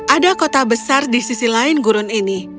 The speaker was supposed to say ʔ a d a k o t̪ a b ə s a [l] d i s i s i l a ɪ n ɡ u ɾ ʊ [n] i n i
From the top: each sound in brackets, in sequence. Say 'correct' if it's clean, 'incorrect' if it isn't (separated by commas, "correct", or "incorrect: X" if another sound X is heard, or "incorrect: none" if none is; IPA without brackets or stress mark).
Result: incorrect: r, correct